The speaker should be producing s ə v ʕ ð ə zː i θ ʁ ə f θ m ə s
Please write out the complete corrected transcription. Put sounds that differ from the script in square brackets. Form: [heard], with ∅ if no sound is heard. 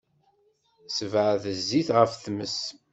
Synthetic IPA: s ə v ʕ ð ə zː i θ ʁ ə f θ m ə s